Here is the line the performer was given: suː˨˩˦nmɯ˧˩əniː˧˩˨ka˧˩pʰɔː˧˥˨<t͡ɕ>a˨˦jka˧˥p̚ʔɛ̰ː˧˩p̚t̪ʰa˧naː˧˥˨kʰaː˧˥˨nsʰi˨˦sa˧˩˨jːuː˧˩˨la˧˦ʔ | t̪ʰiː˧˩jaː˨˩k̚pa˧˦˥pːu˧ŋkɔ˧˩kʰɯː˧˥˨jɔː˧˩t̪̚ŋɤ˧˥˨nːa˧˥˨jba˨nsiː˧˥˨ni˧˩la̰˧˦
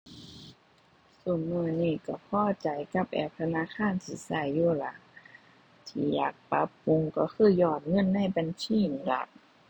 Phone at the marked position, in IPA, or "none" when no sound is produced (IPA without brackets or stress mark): t͡ɕ